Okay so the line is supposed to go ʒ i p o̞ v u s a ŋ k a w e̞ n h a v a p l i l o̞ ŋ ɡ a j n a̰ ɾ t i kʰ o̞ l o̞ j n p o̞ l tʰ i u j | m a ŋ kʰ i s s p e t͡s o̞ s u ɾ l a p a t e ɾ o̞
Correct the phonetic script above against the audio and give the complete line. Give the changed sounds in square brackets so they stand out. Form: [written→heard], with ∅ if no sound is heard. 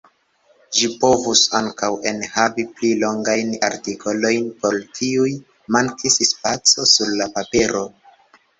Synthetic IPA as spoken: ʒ i p o̞ v u s a ŋ k a w e̞ n h a v [a→i] p l i l o̞ ŋ ɡ a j n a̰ ɾ t i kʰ o̞ l o̞ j n p o̞ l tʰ i u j | m a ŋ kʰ i s s p [e→a] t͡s o̞ s u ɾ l a p a [t→p] e ɾ o̞